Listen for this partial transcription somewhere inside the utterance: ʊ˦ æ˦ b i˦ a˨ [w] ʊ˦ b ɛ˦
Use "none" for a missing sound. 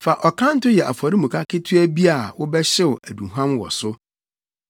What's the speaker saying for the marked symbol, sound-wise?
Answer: w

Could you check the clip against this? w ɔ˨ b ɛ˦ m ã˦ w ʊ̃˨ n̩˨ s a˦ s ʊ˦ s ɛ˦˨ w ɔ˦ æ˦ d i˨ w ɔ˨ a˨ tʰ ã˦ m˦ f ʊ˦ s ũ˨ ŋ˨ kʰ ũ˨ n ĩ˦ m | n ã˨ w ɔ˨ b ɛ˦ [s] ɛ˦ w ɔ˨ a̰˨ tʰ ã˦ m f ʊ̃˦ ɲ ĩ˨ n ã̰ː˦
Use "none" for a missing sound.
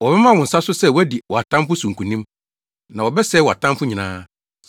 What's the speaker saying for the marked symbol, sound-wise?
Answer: s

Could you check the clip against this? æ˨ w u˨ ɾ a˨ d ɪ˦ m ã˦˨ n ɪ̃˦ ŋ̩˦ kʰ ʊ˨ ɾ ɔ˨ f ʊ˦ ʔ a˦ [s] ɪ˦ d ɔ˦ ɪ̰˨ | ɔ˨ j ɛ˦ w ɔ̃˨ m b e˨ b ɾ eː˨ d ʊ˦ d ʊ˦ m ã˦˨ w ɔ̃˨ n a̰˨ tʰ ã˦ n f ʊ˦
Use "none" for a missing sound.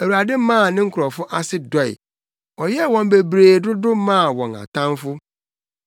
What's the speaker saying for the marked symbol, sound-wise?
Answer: s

